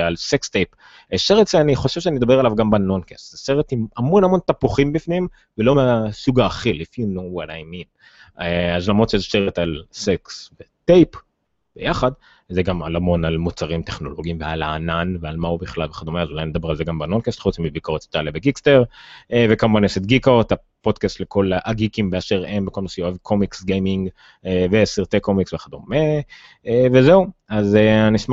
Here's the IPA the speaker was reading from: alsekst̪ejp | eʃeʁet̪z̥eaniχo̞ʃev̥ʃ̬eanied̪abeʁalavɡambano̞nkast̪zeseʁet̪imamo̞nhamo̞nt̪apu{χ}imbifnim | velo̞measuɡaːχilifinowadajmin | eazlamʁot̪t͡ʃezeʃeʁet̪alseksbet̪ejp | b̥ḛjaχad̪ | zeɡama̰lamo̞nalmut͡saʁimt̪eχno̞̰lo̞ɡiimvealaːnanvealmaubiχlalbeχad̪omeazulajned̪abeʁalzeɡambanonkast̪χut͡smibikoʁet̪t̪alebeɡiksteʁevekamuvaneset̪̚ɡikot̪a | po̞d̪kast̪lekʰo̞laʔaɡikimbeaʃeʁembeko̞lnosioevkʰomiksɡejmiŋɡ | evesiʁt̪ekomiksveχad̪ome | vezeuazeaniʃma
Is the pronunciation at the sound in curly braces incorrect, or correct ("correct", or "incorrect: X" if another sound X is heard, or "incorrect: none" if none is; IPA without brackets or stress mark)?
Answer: correct